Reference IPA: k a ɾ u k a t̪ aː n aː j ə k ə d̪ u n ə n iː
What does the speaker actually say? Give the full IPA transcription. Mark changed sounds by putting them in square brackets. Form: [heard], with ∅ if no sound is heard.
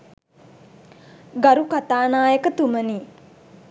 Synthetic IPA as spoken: [ɡ] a ɾ u k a t̪ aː n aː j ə k ə [t̪] u [m] ə n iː